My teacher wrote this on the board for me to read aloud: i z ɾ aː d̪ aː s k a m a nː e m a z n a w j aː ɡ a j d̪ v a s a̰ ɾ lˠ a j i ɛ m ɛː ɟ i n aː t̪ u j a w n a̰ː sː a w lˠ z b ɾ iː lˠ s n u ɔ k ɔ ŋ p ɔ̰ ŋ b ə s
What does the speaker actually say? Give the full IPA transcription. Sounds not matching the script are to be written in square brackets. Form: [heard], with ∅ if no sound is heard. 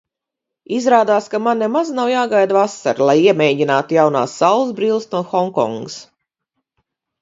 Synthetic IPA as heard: i z ɾ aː d̪ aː s k a m a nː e m a z n a w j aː ɡ a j d̪ v a s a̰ ɾ lˠ a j i ɛ m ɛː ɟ i n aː t̪ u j a w n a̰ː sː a w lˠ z b ɾ iː lˠ s n u ɔ [x] ɔ ŋ [k] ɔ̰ ŋ [ɡ] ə s

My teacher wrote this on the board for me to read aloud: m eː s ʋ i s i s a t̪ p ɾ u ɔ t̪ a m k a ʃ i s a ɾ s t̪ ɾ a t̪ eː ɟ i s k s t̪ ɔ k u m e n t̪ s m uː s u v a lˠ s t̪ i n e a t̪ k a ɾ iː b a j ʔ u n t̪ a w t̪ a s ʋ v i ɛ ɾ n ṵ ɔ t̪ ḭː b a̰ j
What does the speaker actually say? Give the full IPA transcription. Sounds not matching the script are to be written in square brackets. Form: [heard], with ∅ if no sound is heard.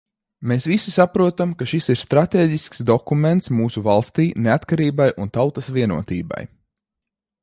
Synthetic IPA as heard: m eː s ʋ i s i s a [∅] p ɾ u ɔ t̪ a m k a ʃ i s [i] ɾ s t̪ ɾ a t̪ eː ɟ i s k s [d̪] ɔ k u m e n t̪ s m uː s u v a lˠ s t̪ [iː] n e a t̪ k a ɾ iː b a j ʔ u n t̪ a w t̪ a s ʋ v i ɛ [∅] n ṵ ɔ t̪ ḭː b a̰ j

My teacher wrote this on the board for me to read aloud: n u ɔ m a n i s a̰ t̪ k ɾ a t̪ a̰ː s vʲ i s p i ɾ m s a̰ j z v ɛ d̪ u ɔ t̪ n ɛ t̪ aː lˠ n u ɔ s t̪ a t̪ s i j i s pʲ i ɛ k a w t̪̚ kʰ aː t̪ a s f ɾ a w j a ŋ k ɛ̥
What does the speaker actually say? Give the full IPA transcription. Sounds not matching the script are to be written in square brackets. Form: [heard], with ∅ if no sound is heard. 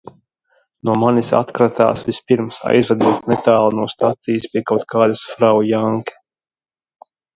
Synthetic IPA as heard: n u ɔ m a n i s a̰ t̪ k ɾ a t̪ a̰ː s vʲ i s p i ɾ m s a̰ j z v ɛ d̪ u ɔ t̪ n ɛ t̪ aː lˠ n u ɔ s t̪ a t̪ s i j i s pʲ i ɛ k a w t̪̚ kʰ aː [d̪] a s f ɾ a w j a ŋ k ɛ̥

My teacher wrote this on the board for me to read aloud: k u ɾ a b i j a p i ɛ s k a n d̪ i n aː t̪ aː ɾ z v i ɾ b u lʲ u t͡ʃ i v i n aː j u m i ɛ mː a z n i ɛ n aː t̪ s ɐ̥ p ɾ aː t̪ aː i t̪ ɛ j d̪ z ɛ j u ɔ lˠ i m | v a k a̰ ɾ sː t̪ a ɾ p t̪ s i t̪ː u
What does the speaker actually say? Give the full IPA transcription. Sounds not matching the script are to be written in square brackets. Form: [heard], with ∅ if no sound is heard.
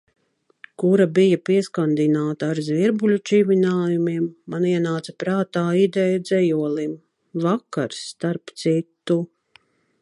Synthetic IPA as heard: k u ɾ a b i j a p i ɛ s k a n d̪ i n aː t̪ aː ɾ z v i ɾ b u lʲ u t͡ʃ i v i n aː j u m i ɛ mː a [∅] n i ɛ n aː t̪ s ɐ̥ p ɾ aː t̪ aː i [d̪] ɛ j d̪ z ɛ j u ɔ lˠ i m | v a k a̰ ɾ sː t̪ a ɾ p t̪ s i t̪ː u

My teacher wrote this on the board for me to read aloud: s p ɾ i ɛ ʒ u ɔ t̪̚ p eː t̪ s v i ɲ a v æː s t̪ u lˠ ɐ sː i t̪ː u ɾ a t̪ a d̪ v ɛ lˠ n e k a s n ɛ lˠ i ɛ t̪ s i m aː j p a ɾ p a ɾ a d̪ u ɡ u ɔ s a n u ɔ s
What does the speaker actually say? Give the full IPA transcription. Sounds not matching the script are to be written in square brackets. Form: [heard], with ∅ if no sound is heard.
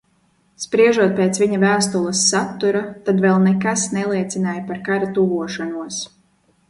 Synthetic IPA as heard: s p ɾ i ɛ ʒ u ɔ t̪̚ p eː t̪ s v i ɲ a v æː s t̪ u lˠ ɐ sː [a] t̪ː u ɾ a t̪ a d̪ v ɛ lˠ n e k a s n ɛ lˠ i ɛ t̪ s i [n] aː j p a ɾ [k] a ɾ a [t̪] u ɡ u ɔ [ʃ] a n u ɔ s

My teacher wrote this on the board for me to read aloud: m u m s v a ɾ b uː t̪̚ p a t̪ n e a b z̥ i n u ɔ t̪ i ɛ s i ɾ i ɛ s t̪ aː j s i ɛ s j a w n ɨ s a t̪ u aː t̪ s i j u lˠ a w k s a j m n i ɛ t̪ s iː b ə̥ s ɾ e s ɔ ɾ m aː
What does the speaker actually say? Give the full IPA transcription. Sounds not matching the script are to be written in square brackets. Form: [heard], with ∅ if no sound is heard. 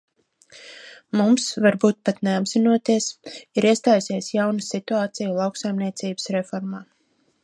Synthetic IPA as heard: m u m s v a ɾ b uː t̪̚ p a t̪ n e a b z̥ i n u ɔ t̪ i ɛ s i ɾ i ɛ s t̪ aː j s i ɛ s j a w n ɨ s [i] t̪ u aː t̪ s i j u lˠ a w k s a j m n i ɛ t̪ s iː b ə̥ s ɾ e [f] ɔ ɾ m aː

